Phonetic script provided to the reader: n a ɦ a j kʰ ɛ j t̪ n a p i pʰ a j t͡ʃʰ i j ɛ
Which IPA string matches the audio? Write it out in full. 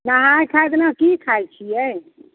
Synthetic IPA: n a ɦ a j kʰ a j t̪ n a k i kʰ a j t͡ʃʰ i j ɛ